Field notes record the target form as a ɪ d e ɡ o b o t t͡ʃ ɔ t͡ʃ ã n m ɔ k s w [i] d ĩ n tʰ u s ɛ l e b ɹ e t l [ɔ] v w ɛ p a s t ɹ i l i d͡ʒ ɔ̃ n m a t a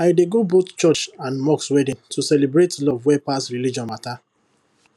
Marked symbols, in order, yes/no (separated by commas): no, yes